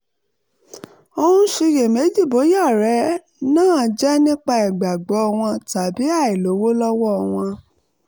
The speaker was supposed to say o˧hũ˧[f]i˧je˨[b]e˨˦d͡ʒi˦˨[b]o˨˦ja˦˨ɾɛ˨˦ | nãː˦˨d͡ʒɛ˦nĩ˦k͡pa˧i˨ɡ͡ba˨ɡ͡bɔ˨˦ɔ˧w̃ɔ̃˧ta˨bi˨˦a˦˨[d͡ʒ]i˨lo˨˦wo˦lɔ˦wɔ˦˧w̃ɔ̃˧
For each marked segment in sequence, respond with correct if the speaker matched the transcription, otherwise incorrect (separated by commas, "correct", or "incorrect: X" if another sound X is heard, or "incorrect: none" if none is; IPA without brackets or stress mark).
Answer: incorrect: ʃ, incorrect: m, correct, incorrect: none